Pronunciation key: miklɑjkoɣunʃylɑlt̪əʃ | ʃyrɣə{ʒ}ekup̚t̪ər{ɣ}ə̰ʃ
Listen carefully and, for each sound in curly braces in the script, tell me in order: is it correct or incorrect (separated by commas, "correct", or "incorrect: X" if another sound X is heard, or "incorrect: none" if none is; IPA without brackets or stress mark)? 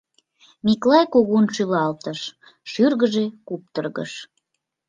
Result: correct, correct